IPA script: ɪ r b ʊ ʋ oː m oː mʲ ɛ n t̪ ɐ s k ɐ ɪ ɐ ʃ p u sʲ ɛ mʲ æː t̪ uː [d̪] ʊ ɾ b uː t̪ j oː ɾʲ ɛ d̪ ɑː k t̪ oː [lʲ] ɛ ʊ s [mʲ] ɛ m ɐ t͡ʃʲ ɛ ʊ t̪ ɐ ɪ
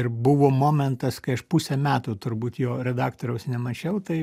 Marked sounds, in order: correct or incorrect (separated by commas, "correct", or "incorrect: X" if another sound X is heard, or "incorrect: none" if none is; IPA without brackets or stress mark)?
incorrect: t̪, incorrect: ɾʲ, incorrect: nʲ